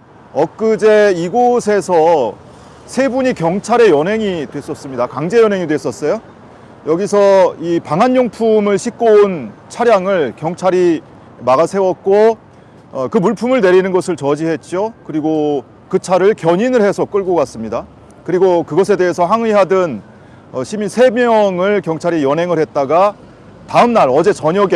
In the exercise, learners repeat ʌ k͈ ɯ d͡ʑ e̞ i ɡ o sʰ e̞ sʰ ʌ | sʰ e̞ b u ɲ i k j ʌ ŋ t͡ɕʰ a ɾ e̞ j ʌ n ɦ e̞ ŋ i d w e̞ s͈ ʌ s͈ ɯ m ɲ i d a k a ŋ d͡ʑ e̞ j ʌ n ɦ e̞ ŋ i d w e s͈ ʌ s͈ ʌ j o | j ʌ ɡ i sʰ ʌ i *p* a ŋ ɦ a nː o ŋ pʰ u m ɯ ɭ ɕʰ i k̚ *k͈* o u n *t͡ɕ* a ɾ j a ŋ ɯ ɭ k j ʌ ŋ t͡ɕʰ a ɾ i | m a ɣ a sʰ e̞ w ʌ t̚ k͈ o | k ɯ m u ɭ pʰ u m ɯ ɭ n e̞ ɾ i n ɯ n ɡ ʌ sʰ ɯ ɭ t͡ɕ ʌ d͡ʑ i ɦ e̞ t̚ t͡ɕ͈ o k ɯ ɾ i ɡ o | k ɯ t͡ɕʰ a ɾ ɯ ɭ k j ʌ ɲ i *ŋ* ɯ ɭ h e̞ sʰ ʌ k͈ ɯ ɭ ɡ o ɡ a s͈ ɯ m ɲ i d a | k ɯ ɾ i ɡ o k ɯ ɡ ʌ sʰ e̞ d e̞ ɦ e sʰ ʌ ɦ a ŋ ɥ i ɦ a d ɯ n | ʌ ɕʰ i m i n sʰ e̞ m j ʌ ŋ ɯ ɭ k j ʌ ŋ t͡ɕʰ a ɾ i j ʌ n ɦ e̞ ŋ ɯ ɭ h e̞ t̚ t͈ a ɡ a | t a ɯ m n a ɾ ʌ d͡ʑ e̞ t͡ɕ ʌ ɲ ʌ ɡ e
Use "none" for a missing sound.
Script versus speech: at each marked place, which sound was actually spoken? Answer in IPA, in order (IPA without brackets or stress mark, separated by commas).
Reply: p, k͈, t͡ɕʰ, n